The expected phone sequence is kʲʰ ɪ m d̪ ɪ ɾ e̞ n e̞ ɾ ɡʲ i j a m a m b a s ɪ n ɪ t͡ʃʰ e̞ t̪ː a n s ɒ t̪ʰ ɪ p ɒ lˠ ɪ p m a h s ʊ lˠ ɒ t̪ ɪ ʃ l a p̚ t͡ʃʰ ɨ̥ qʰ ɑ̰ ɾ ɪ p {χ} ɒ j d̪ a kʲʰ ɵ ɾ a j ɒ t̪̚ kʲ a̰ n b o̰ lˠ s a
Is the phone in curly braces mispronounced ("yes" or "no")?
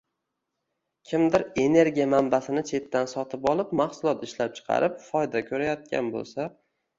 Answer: yes